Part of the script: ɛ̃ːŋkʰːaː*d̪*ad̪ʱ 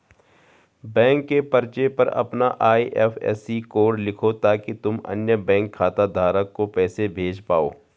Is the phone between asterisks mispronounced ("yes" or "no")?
yes